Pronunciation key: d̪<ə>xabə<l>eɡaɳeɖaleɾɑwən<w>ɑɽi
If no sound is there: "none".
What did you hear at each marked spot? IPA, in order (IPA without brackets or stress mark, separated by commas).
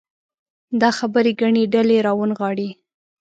ɑ, ɾ, ɣ